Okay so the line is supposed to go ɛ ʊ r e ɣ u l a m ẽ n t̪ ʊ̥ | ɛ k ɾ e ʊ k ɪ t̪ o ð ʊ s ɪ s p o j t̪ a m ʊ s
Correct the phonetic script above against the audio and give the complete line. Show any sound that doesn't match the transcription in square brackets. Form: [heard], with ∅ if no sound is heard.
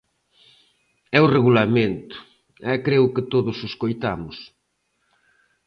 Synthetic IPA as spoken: ɛ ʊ r e ɣ u l a m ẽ n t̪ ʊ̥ | ɛ k ɾ e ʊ k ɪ t̪ o ð ʊ s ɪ s [k] o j t̪ a m ʊ s

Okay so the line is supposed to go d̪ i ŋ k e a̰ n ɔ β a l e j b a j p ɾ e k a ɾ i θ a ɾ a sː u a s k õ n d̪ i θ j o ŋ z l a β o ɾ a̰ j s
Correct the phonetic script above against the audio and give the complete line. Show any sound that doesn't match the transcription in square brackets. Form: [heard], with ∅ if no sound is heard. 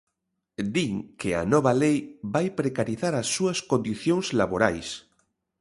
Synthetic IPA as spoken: d̪ i ŋ k e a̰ n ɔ β a l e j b a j p ɾ e k a ɾ i θ a ɾ a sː u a s k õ n d̪ i θ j o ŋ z l a β o ɾ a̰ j s

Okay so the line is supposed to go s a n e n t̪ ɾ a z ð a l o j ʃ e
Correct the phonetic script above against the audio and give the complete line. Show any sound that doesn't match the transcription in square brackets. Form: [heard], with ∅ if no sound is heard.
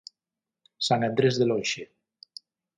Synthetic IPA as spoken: s a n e n [d̪] ɾ [e] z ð [e] l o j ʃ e

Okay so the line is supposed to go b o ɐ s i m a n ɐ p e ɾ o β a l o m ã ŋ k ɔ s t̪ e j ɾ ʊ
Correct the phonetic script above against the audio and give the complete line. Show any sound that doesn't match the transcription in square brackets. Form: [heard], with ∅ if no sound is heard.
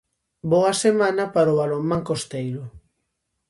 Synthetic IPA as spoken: b o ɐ s [e] m a n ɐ p [a] ɾ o β a l o m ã ŋ k [o] s t̪ e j ɾ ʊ

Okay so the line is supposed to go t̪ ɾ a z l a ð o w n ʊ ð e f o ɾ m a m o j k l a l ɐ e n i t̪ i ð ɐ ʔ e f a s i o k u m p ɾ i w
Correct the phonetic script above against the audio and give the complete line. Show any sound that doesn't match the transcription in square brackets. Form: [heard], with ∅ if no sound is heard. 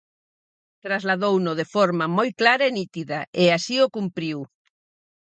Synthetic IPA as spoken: t̪ ɾ a z l a ð o w n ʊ ð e f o ɾ m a m o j k l a [ɾ] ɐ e n i t̪ i ð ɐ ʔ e [∅] a s i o k u m p ɾ i w

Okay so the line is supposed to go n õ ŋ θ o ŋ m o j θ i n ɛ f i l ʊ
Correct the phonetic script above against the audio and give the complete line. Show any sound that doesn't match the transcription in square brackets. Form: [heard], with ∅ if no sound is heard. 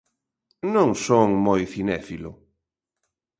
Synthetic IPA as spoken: n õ ŋ [s] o ŋ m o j θ i n ɛ f i l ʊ

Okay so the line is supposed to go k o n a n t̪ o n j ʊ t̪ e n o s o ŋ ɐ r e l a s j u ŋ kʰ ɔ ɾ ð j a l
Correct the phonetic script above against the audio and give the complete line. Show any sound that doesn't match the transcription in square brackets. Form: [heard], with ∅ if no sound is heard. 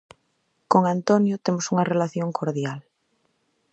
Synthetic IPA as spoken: k o [ŋ] a n t̪ o n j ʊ t̪ e [m] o s [u] ŋ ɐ r e l a [θ] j [o] ŋ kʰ [o] ɾ ð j a l

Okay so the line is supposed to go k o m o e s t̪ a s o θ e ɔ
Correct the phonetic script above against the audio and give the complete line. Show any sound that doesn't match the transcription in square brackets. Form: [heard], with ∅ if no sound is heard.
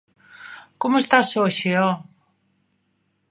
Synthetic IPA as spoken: k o m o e s t̪ a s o [ʃ] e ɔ

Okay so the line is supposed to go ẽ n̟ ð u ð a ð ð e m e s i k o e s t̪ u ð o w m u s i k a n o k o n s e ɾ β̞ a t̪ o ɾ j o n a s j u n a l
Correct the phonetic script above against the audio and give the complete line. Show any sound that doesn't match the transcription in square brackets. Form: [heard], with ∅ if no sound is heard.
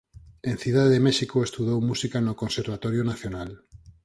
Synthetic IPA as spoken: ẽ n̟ [θ] u ð a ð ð e m e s i k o e s t̪ u ð o w m u s i k a n o k o n s e ɾ β̞ a t̪ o ɾ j o n a [θ] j [o] n a l

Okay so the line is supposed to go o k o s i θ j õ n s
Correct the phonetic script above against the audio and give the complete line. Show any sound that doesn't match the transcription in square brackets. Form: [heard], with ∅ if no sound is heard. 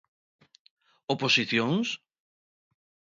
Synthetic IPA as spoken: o [p] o s i θ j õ [ŋ] s

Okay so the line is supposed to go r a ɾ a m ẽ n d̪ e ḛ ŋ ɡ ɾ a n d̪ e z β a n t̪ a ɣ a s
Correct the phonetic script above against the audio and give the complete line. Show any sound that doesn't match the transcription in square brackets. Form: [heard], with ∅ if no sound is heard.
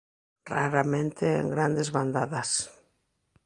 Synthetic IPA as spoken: r a ɾ a m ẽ n [t̪] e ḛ ŋ ɡ ɾ a n d̪ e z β a n [d̪] a [ð] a s

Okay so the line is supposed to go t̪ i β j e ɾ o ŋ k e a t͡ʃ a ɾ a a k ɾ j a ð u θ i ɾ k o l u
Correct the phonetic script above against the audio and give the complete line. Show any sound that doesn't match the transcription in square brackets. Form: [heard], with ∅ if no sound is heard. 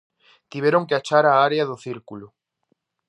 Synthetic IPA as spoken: t̪ i β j e ɾ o ŋ k e a t͡ʃ a ɾ a a [∅] ɾ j a ð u θ i ɾ k [u] l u

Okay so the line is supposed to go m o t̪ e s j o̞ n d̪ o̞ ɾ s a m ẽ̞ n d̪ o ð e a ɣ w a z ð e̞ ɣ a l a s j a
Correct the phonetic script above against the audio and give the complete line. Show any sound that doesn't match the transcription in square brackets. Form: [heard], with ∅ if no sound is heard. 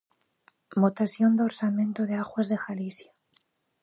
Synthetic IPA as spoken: m o t̪ [a] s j o̞ n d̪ o̞ ɾ s a m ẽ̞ n [t̪] o ð e a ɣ w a z ð e̞ [x] a l [i] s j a

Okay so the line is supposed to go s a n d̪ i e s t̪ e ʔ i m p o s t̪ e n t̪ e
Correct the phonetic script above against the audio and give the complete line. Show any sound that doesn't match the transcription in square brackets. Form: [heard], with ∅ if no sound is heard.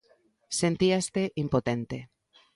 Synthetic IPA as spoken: s [e] n [t̪] i [a] s t̪ e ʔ i m p o [∅] t̪ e n t̪ e

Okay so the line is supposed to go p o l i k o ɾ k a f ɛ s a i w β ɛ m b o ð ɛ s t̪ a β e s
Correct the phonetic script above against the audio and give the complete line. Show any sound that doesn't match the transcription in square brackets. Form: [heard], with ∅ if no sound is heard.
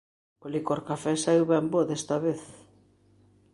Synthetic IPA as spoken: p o l i k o ɾ k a f ɛ s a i w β ɛ m b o ð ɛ s t̪ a β e [θ]

